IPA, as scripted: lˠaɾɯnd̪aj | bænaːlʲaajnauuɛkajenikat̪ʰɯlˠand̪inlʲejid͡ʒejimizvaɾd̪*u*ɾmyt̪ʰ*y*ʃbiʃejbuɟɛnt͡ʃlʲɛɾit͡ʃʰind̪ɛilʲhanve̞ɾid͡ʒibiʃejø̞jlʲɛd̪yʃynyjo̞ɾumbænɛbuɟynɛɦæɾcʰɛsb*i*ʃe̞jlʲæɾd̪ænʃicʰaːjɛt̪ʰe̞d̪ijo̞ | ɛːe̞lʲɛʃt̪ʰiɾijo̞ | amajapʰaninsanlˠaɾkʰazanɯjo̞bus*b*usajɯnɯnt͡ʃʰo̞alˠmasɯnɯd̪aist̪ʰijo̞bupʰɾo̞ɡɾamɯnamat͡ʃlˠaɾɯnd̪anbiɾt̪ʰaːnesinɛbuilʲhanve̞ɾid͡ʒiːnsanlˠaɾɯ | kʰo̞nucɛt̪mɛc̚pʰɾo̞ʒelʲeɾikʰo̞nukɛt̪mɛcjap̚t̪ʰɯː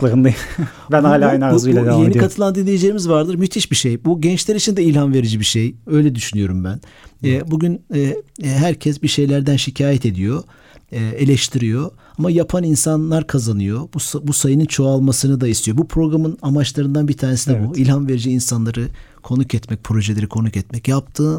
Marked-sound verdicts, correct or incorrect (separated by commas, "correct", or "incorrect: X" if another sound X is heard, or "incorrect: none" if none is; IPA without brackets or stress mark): incorrect: ɯ, incorrect: i, correct, correct